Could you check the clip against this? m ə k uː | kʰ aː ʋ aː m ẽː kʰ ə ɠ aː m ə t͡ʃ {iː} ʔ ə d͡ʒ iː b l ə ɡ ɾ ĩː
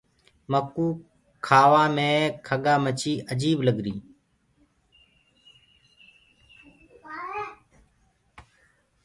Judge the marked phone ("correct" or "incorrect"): correct